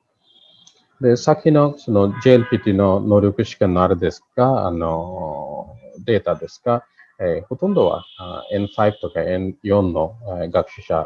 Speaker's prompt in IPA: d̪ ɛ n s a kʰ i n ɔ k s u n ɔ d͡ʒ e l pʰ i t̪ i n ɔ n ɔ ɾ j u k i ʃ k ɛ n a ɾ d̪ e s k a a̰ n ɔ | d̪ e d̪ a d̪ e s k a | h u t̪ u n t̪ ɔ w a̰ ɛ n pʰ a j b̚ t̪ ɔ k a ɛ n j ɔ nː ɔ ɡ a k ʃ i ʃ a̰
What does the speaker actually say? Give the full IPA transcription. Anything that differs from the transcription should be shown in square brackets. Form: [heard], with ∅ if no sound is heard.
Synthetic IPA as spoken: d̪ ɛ [∅] s a kʰ i n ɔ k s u n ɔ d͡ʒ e l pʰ i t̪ i n ɔ n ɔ ɾ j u k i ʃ k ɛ n a ɾ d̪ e s k a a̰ n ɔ | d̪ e [t̪] a d̪ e s k a | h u t̪ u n [d̪] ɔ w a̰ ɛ n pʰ a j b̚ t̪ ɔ k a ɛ n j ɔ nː ɔ ɡ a k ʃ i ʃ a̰